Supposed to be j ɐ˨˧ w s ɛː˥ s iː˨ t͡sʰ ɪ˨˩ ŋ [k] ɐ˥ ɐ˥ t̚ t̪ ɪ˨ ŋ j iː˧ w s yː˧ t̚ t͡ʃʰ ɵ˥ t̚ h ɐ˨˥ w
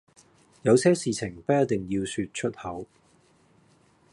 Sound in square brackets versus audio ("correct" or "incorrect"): incorrect